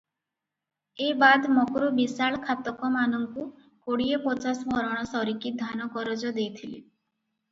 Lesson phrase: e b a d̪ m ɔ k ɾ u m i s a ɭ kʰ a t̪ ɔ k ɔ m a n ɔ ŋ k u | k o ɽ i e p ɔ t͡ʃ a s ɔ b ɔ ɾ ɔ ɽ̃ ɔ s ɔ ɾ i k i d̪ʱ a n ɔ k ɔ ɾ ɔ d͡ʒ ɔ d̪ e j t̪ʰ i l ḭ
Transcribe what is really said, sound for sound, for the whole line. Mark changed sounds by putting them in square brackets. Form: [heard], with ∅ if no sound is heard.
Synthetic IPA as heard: e b a d̪ m ɔ k ɾ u [b] i s a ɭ kʰ a t̪ ɔ k ɔ m a n ɔ ŋ k u | k o ɽ i e p ɔ t͡ʃ a s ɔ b ɔ ɾ ɔ ɽ̃ ɔ s ɔ ɾ i k i d̪ʱ a n ɔ k ɔ ɾ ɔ d͡ʒ ɔ d̪ e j t̪ʰ i l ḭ